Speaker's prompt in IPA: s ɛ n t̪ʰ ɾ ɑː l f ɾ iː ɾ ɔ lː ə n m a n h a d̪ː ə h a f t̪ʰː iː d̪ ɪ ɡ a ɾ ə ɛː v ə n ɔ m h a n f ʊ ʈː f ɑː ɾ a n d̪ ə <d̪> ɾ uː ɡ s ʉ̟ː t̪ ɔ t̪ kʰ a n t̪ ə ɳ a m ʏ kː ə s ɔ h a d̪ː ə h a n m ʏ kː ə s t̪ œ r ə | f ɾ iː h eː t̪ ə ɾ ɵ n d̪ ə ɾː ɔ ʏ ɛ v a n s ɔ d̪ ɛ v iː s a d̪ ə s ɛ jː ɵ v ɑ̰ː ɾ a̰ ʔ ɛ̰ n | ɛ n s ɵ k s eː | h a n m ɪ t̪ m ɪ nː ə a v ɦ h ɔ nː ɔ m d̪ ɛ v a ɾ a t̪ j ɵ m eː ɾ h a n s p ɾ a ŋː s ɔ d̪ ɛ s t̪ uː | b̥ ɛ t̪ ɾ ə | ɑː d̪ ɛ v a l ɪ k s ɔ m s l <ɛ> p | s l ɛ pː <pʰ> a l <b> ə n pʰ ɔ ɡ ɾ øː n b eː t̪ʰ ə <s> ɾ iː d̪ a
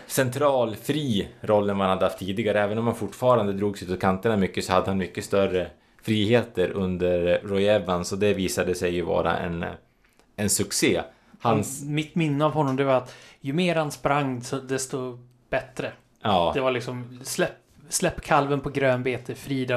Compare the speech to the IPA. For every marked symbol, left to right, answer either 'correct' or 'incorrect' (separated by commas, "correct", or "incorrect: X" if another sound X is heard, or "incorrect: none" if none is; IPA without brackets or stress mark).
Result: correct, correct, incorrect: kʰ, incorrect: v, incorrect: f